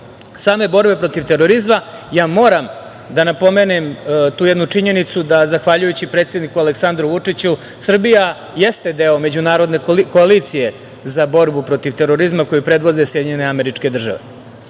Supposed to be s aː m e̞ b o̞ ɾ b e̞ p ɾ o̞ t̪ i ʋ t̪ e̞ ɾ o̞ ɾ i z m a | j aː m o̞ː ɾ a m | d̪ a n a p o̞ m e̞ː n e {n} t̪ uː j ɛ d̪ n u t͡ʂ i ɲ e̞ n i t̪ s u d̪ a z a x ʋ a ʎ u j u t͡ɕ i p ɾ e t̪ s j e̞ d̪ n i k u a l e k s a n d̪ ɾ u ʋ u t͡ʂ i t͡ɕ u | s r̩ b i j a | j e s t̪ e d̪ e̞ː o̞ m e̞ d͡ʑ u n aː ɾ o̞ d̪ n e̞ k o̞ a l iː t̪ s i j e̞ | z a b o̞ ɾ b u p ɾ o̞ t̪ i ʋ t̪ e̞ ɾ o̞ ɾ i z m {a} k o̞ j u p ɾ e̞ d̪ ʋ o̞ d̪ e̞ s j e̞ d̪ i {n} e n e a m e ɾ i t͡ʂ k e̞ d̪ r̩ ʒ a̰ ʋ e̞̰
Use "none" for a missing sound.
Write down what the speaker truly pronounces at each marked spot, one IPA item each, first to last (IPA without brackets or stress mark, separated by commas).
m, a, ɲ